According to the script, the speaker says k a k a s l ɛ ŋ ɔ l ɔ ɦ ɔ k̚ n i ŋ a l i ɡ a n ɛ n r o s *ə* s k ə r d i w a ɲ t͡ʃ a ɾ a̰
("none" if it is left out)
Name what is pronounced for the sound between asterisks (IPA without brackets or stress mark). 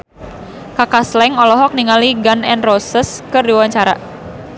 ə